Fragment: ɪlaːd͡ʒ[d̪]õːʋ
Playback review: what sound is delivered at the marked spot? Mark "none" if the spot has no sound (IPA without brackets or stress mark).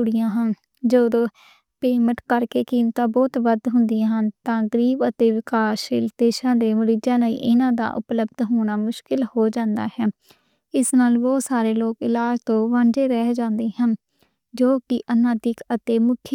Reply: t̪